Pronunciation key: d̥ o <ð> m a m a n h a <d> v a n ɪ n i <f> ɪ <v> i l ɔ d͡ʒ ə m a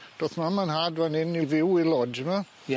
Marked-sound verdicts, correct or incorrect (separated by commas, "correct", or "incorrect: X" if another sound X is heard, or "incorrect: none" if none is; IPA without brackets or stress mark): incorrect: θ, correct, incorrect: v, incorrect: w